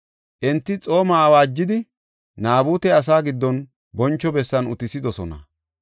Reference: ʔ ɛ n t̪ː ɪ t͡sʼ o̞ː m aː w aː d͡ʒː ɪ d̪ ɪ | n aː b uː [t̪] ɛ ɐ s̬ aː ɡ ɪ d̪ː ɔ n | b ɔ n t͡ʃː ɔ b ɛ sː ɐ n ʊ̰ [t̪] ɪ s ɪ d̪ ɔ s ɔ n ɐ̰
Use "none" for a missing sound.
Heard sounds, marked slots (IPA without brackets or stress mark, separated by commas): t̪, t̪